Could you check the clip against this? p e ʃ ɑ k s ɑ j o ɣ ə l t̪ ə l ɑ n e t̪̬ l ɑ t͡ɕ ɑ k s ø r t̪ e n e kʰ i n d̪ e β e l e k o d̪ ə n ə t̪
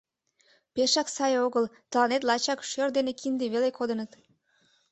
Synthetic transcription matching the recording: p e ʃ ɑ k s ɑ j o ɣ ə l t̪ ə l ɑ n e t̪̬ l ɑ t͡ɕ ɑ k ʃ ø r d̪ e n e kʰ i n d̪ e β e l e k o d̪ ə n ə t̪